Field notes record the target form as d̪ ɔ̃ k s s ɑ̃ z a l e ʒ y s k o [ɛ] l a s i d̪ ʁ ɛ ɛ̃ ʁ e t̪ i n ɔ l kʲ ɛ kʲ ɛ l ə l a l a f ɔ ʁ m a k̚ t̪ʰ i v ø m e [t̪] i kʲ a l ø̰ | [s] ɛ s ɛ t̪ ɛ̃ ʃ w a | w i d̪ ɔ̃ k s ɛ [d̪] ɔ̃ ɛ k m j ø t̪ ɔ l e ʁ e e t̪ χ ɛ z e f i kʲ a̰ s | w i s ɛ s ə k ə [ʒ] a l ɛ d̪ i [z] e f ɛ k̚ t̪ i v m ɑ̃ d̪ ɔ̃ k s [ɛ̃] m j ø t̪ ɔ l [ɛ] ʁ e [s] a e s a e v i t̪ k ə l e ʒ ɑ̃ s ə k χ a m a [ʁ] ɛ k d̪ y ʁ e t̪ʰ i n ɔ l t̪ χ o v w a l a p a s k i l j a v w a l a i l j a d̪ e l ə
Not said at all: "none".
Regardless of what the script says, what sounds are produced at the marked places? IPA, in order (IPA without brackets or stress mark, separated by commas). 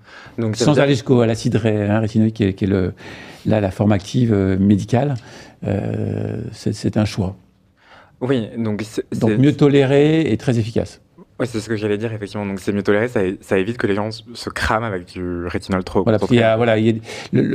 a, d̪, s, d̪, ʒ, ʁ, ɛ, e, s, v